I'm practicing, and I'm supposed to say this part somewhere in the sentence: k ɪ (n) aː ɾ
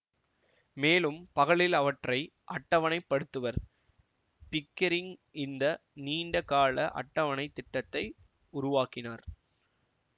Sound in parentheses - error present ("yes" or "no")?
no